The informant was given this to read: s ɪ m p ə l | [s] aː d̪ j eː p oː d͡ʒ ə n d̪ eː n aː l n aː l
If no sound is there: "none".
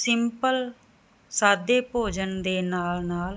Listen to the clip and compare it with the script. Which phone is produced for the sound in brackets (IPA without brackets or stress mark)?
s